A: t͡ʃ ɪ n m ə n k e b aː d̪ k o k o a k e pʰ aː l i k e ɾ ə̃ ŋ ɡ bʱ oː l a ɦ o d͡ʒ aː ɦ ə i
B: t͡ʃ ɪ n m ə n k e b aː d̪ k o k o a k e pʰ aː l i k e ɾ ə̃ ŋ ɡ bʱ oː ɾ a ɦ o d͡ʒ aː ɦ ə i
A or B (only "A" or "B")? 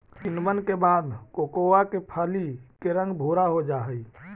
B